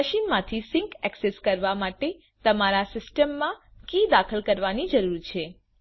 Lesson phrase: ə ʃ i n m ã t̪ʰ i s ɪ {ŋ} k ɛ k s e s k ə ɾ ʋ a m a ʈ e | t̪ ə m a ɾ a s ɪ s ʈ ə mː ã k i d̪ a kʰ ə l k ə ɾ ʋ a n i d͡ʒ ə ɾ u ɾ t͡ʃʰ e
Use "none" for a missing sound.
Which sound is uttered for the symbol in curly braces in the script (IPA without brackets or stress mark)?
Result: ŋ